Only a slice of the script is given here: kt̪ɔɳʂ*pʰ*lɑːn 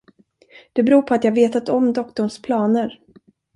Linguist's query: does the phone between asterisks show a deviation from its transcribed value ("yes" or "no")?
no